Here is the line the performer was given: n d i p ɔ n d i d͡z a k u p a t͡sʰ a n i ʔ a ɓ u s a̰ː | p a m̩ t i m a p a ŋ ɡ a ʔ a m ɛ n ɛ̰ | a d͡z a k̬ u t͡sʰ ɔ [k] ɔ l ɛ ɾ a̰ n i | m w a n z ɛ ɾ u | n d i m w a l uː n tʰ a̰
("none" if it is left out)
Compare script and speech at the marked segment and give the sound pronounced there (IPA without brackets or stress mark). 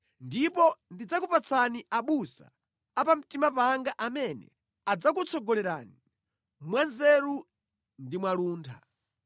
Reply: ɡ